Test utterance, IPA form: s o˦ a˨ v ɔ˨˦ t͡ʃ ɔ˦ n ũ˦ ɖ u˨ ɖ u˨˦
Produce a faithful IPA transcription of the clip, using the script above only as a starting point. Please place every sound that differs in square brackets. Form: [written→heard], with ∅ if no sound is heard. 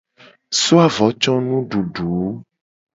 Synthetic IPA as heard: s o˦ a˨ v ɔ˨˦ t͡ʃ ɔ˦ n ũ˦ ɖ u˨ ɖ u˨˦